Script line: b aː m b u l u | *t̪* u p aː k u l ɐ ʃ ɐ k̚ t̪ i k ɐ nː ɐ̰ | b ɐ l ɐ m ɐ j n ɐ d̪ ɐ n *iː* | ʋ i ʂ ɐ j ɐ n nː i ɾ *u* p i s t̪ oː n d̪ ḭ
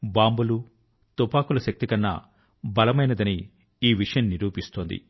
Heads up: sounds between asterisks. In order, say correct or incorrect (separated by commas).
correct, correct, incorrect